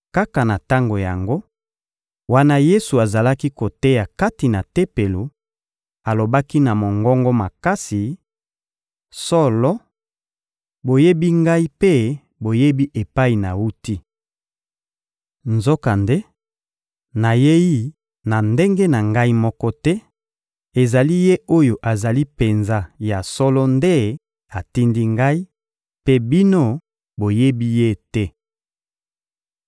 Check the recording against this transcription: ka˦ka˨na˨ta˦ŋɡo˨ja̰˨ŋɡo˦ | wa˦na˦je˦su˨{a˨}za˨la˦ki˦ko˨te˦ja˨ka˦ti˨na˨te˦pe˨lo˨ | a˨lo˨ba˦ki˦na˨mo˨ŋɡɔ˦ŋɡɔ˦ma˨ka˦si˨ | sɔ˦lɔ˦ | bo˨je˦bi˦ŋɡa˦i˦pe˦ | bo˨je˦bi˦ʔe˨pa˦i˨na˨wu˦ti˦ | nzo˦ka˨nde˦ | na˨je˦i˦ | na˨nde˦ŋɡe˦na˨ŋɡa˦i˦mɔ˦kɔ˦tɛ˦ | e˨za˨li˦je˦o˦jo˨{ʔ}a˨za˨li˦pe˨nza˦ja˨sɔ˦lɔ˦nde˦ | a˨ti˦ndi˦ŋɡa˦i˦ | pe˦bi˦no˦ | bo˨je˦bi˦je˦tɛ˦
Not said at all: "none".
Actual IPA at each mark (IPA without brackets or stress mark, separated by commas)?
a˨, ʔ